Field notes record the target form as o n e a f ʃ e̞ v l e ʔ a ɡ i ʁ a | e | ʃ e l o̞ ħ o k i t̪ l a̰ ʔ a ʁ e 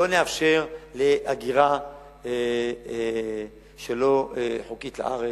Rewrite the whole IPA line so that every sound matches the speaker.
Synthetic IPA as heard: o n e a f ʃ e̞ ʁ l e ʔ a ɡ i ʁ a | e | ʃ e l o̞ ħ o k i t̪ l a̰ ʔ a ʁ e